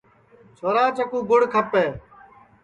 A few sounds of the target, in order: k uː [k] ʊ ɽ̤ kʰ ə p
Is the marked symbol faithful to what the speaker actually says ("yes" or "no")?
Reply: no